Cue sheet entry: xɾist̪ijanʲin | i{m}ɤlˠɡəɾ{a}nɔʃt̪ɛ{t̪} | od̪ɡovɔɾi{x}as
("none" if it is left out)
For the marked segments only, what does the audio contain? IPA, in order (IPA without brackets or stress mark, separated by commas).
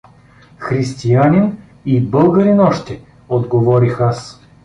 b, i, none, x